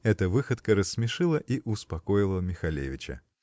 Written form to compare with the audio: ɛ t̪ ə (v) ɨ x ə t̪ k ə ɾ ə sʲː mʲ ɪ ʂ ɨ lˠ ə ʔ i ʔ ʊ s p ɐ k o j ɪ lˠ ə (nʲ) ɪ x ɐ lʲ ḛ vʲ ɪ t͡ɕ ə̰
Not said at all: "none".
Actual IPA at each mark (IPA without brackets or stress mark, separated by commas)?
v, mʲ